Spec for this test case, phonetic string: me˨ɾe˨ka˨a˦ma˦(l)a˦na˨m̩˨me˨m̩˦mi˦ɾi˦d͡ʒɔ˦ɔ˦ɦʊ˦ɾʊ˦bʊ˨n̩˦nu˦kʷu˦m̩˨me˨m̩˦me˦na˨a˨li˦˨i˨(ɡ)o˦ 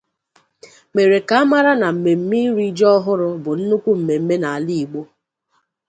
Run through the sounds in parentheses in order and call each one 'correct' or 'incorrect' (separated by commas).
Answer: incorrect, incorrect